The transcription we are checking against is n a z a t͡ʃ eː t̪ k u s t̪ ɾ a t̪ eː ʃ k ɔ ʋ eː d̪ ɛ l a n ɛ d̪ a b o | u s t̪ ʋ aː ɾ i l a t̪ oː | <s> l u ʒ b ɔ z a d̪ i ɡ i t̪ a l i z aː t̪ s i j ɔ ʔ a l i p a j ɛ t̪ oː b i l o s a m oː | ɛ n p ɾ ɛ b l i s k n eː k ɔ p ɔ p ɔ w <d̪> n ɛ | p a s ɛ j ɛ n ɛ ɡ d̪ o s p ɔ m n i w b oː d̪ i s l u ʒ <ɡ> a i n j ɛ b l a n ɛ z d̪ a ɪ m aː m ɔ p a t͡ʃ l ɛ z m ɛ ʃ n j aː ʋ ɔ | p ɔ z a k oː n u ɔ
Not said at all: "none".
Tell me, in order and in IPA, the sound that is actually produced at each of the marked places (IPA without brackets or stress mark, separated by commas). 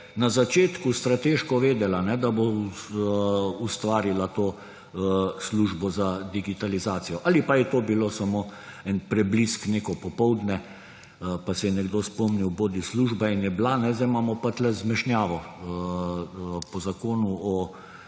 s, d̪, b